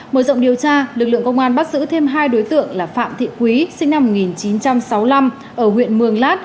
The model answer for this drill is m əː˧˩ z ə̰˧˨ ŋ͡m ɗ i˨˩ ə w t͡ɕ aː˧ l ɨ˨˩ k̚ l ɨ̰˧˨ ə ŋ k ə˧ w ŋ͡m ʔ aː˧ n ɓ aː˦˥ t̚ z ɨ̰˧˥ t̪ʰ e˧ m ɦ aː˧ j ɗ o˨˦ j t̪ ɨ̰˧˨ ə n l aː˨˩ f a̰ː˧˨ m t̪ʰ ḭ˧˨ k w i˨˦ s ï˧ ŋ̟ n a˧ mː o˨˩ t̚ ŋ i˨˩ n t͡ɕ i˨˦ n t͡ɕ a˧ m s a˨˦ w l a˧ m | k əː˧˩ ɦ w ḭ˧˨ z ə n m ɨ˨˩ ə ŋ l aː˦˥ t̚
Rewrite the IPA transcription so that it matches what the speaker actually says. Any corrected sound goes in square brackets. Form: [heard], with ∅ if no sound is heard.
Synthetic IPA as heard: m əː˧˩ z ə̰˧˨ ŋ͡m ɗ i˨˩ ə w t͡ɕ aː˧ l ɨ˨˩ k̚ l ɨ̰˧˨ ə ŋ k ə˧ w ŋ͡m ʔ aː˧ n ɓ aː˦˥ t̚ z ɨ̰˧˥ t̪ʰ e˧ m ɦ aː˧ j ɗ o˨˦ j t̪ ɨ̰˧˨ ə [ŋ] l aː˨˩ f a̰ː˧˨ m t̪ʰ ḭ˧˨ k w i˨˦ s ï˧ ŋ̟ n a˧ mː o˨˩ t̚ ŋ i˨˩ n t͡ɕ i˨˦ n t͡ɕ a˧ m s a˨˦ w l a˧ m | [ʔ] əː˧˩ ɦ w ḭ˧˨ [∅] ə n m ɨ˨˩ ə ŋ l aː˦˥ t̚